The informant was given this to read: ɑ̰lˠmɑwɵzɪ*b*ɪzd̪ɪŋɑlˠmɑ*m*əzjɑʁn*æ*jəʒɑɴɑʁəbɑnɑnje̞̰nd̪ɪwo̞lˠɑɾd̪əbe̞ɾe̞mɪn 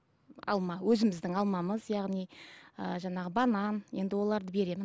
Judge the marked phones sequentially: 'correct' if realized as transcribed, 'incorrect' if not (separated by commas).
incorrect, correct, incorrect